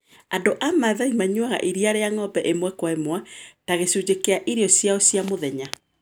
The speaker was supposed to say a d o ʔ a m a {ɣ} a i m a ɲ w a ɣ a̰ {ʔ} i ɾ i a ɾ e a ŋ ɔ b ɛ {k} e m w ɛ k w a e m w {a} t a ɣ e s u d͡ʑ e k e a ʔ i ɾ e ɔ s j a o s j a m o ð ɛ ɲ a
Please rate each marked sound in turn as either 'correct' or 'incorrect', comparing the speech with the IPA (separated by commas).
incorrect, correct, incorrect, correct